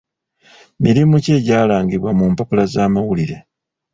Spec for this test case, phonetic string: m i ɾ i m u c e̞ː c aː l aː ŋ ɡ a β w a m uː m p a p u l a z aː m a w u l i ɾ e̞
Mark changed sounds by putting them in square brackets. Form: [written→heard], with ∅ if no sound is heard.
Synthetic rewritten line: m i ɾ i m u c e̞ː [c→ɟ] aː l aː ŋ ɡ [a→i] β w a m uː m p a p u l a z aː m a w u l i ɾ e̞